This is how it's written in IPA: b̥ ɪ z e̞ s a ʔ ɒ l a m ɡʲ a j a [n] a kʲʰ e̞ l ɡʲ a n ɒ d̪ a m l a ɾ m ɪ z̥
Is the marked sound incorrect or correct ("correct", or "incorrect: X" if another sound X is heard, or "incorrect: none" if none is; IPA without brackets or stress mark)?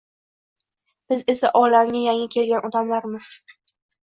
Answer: incorrect: ŋ